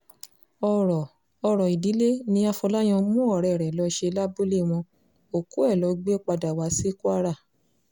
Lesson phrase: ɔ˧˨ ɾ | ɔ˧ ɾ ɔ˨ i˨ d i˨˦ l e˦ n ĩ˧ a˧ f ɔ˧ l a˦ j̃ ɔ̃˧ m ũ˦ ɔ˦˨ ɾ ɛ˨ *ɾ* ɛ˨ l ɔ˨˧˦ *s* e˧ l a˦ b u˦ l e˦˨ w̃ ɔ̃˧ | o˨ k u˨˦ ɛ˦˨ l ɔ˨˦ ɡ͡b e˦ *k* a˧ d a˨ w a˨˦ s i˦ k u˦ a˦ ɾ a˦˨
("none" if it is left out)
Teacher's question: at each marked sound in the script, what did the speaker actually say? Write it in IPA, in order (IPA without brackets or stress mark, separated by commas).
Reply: ɾ, ʃ, k͡p